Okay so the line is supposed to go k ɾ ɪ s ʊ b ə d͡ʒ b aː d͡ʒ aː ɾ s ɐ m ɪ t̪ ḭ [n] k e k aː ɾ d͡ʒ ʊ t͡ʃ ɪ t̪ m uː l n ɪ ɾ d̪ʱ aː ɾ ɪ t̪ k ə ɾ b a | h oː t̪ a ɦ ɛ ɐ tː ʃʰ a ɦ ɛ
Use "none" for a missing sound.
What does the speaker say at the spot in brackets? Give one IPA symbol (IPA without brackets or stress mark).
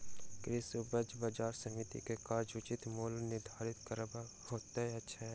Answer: none